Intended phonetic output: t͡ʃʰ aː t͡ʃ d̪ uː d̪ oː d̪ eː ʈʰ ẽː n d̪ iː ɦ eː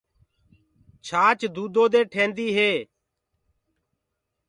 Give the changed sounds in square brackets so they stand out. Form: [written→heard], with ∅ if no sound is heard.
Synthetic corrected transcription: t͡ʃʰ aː t͡ʃ d̪ uː d̪ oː d̪ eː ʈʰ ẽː n d̪ iː ɦ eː